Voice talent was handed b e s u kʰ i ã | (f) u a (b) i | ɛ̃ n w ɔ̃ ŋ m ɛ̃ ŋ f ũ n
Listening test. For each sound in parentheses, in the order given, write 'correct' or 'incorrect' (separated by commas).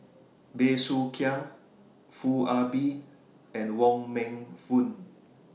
correct, correct